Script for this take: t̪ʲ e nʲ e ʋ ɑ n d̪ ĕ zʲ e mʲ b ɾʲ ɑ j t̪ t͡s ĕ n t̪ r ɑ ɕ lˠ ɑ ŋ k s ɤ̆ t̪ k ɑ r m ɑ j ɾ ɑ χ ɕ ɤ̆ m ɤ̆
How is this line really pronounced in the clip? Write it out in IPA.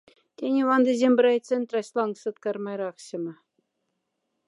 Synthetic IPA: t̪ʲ e nʲ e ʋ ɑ n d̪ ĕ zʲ e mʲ b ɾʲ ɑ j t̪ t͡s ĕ n t̪ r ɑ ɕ lˠ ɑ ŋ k s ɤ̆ t̪ k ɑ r m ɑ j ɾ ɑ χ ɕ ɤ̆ m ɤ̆

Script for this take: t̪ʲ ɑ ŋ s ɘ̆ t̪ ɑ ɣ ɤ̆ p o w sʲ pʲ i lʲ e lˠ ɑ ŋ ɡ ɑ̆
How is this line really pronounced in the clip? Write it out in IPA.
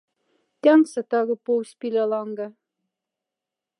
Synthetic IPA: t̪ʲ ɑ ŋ s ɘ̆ t̪ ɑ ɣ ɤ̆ p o w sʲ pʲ i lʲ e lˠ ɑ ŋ ɡ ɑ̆

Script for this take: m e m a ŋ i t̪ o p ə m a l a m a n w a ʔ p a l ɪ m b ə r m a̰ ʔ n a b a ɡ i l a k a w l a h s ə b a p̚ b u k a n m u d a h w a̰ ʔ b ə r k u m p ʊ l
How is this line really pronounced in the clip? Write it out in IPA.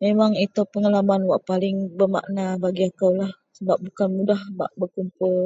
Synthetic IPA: m e m a ŋ i t̪ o p ə ŋ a l a m a n w a ʔ p a l ɪ ŋ b ə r m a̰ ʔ n a b a ɡ i a k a w l a h s ə b a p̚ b u k a n m u d a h b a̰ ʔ b ə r k u m p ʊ l

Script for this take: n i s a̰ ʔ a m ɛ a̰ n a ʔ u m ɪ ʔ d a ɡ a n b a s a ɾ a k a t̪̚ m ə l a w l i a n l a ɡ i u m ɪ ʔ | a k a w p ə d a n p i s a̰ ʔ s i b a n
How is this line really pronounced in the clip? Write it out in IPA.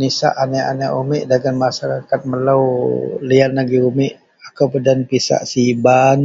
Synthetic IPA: n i s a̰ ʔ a n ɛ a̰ n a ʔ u m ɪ ʔ d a ɡ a n m a s a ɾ a k a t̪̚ m ə l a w l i a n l a ɡ i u m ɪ ʔ | a k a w p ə d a n p i s a̰ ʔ s i b a n

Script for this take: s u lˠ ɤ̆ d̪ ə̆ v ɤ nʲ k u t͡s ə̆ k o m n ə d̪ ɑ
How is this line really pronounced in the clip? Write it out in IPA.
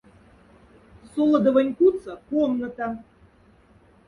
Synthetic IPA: s o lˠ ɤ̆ d̪ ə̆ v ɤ nʲ k u t͡s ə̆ k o m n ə t̪ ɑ

